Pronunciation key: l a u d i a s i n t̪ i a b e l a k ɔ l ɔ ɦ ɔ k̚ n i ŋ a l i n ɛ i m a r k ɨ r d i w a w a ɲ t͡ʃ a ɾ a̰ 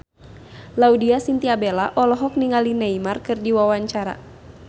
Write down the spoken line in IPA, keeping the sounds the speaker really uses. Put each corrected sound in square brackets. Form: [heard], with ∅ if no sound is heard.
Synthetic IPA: l a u d i a s i n t̪ i a b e l a [ʔ] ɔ l ɔ ɦ ɔ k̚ n i ŋ a l i n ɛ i m a r k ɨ r d i w a w a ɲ t͡ʃ a ɾ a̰